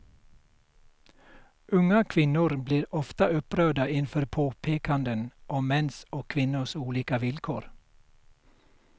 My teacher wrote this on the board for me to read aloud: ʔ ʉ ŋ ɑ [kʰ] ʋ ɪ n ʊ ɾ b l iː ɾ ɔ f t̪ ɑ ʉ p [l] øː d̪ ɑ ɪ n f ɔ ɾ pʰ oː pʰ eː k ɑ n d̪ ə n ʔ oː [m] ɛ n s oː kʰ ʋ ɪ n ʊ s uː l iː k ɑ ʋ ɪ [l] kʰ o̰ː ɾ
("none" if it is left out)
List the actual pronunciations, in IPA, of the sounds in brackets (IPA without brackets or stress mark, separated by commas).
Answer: kʰ, ɾ, m, l